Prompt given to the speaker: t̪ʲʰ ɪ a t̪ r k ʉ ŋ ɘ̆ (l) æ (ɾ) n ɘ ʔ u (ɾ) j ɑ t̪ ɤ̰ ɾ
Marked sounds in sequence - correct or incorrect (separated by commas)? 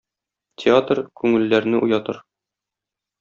incorrect, correct, incorrect